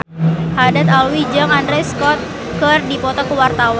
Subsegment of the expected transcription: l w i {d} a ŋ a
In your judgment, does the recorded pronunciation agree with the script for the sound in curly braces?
no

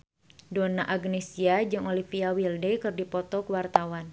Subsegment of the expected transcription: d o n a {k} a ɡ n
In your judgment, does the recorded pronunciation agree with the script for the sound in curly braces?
no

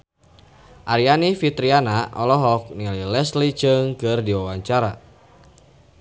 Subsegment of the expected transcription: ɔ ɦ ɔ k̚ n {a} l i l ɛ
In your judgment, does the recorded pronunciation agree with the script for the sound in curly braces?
no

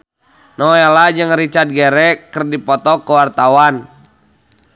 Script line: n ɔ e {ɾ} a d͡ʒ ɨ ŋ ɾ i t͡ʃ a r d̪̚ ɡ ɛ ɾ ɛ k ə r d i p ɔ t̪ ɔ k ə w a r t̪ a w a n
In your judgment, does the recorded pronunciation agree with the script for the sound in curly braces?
no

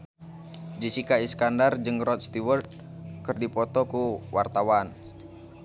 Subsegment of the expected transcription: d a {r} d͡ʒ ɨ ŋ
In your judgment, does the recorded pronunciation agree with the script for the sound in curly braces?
yes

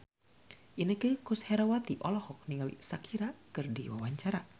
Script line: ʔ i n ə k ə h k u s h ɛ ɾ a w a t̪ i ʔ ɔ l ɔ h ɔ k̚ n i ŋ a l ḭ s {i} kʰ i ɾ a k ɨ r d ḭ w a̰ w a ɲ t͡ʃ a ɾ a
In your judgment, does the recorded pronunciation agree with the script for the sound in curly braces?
no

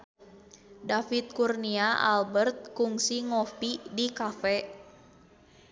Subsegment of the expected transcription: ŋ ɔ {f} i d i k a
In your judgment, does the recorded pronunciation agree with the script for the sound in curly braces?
yes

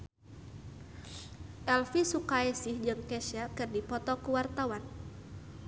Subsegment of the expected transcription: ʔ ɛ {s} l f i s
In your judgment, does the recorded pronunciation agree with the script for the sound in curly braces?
no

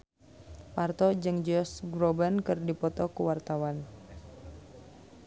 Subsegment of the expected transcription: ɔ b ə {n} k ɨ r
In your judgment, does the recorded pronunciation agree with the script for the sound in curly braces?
yes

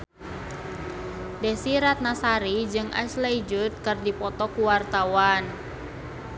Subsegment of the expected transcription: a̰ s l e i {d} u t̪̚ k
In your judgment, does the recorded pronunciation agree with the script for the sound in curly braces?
no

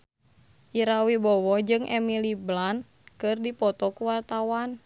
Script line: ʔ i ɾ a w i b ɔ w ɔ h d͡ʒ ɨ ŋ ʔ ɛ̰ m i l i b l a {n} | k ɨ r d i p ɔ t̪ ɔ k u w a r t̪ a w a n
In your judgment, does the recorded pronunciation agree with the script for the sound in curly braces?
yes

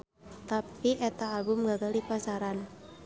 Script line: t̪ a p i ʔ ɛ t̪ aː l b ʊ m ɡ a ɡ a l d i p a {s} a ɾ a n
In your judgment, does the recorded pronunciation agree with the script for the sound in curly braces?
yes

